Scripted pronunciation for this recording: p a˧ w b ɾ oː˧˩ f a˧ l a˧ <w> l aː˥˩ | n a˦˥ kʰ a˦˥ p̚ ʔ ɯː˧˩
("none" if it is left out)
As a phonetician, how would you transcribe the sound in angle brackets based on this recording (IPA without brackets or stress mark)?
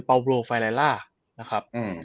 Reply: none